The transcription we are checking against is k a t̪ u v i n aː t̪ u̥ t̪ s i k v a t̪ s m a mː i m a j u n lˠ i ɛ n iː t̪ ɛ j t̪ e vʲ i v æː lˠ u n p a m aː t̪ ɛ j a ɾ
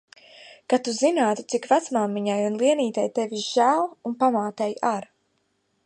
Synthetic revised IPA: k a t̪ u z i n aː t̪ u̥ t̪ s i k v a t̪ s m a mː i ɲ a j u n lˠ i ɛ n iː t̪ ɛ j t̪ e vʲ i ʒ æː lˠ u n p a m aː t̪ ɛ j a ɾ